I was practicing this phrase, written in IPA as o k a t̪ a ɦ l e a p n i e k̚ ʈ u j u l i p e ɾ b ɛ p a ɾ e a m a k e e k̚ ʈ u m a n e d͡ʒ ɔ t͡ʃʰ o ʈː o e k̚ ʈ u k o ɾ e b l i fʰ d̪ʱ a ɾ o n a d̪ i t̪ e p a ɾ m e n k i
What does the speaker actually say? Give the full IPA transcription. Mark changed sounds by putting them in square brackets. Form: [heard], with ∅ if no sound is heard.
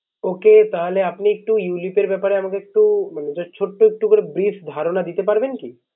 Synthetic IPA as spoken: o k [e] t̪ a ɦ l e a p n i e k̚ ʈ u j u l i p e ɾ b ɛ p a ɾ e a m a k e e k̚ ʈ u m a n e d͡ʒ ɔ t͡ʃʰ o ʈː o e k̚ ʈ u k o ɾ e b [ɾ] i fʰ d̪ʱ a ɾ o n a d̪ i t̪ e p a ɾ [b] e n k i

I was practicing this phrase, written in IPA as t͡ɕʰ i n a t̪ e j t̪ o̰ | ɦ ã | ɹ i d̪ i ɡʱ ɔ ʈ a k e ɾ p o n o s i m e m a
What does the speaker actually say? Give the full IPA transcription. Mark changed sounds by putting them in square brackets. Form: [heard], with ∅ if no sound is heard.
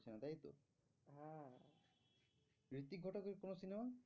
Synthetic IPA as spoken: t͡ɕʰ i n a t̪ [a] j t̪ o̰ | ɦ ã | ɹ i [t̪] i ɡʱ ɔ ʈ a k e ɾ [k] o n o s i [n] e m a

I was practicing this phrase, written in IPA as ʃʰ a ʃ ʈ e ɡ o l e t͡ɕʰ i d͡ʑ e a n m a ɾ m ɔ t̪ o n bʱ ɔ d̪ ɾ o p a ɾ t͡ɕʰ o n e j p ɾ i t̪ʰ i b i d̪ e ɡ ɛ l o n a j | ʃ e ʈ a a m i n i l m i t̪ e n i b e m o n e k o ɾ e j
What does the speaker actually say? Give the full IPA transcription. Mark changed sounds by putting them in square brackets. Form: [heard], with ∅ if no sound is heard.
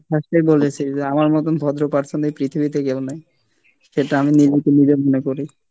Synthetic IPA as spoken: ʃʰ a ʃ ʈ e [b] o l e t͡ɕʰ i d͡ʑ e a [∅] m a ɾ m ɔ t̪ o n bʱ ɔ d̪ ɾ o p a ɾ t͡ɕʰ o n e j p ɾ i t̪ʰ i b i [t̪] e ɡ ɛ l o n a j | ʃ e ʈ a a m i n i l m i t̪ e n i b e m o n e k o ɾ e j

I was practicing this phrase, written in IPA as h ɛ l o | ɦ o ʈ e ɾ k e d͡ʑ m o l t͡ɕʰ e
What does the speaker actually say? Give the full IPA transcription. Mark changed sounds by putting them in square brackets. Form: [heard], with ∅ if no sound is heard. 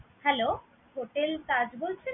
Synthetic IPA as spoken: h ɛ l o | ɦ o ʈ e [l] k [a] d͡ʑ [b] o l t͡ɕʰ e

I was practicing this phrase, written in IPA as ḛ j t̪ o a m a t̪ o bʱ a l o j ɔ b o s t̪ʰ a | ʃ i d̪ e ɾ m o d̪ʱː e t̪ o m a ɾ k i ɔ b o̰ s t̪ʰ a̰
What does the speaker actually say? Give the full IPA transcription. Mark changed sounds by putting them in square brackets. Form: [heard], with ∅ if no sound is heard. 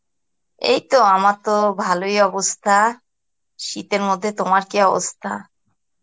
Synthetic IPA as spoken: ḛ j t̪ o a m a t̪ o bʱ a l o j ɔ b o s t̪ʰ a | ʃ i [t̪] e ɾ m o d̪ʱː e t̪ o m a ɾ k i ɔ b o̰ s t̪ʰ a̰

